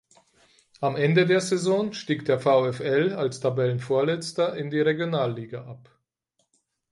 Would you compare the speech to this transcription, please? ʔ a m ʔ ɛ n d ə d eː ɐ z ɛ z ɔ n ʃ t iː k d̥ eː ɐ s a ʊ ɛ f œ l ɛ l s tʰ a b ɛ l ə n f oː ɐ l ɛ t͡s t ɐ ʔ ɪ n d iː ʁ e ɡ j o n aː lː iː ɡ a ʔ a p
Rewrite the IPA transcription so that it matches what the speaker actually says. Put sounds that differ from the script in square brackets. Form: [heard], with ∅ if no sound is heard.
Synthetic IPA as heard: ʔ a m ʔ ɛ n d ə d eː ɐ z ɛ z ɔ n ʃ t iː k d̥ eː ɐ [f] a ʊ ɛ f [ɛ] l [a] l s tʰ a b ɛ l ə n f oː ɐ l ɛ t͡s t ɐ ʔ ɪ n d iː ʁ e ɡ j o n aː lː iː ɡ a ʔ a p